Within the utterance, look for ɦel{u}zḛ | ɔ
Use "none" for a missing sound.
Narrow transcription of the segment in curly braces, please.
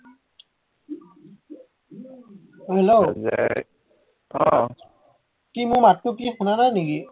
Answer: o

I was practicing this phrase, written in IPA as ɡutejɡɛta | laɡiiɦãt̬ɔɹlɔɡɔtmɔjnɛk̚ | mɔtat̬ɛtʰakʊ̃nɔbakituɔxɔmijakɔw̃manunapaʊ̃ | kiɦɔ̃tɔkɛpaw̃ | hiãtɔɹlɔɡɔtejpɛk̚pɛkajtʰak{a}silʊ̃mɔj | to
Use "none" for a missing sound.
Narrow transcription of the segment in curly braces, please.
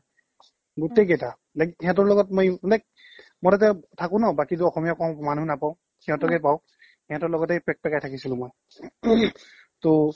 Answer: i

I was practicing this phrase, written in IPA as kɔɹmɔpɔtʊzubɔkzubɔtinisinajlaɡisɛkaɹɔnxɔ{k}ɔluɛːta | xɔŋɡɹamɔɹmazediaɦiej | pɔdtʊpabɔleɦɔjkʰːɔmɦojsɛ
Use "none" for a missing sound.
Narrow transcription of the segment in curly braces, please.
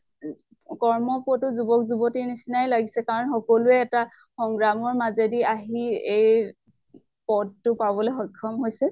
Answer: k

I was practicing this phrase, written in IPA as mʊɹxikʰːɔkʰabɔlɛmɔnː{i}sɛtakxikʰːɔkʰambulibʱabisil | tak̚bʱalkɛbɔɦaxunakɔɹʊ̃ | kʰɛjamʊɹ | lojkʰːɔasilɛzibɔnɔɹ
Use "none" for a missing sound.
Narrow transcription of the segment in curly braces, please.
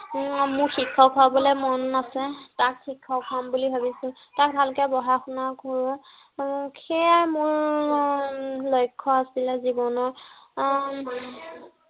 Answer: a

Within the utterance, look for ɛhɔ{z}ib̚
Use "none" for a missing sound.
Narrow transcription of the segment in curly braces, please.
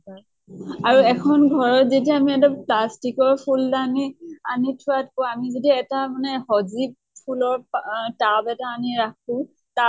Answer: z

